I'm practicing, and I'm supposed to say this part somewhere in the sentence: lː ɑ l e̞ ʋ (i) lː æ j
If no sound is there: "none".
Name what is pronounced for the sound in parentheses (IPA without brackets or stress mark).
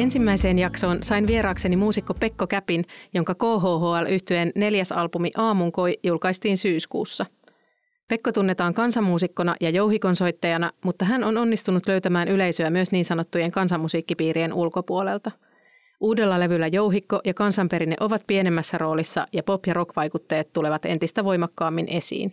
y